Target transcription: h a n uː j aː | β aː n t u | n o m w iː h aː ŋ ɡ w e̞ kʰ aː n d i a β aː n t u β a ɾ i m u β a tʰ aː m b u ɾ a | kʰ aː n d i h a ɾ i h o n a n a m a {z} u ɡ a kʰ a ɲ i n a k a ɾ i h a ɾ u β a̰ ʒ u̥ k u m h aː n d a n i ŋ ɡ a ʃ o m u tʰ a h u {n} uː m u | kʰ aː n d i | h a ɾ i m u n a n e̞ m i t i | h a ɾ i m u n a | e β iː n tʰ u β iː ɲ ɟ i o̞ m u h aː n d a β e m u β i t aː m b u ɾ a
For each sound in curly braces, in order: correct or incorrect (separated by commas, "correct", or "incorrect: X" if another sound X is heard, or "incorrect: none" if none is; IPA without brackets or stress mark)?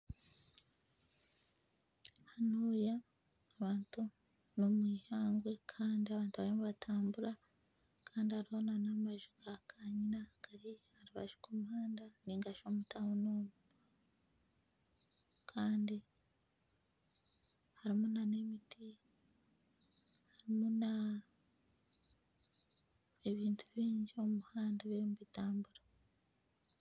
incorrect: ʒ, correct